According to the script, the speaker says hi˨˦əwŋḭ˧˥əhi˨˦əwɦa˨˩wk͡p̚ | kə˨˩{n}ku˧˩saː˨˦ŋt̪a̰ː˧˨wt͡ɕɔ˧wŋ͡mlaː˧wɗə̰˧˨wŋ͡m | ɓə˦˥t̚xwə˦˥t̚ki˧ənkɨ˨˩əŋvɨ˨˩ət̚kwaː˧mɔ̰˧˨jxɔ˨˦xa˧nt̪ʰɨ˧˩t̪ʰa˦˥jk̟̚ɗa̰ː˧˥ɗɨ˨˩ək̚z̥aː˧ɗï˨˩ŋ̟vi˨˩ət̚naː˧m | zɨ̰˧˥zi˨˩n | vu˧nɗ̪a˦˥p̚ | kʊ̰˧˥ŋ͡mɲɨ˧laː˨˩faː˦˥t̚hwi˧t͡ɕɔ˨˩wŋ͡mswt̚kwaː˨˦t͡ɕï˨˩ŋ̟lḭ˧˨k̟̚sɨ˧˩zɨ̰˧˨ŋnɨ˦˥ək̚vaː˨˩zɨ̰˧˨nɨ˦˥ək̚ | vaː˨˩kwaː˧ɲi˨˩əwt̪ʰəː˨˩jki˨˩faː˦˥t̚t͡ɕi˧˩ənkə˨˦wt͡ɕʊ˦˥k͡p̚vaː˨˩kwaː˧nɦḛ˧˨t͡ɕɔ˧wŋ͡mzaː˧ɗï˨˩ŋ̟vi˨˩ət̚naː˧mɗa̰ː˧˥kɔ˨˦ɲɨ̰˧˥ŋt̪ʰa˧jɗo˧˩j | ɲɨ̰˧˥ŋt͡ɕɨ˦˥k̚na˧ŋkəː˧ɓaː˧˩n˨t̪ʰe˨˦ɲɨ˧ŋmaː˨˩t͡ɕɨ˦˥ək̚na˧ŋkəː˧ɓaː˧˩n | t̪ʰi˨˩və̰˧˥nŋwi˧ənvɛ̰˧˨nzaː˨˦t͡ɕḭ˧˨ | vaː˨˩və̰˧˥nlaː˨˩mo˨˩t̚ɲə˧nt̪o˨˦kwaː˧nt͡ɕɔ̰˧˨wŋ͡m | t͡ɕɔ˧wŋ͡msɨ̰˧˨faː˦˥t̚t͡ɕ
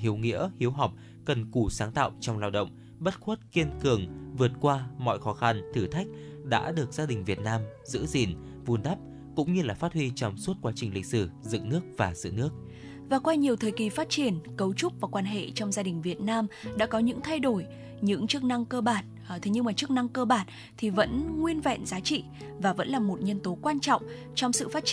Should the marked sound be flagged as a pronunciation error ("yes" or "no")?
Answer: no